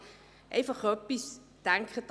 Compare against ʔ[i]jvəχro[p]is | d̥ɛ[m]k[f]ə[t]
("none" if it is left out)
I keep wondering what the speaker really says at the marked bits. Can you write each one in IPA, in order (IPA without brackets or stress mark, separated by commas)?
e, p, ŋ, χ, t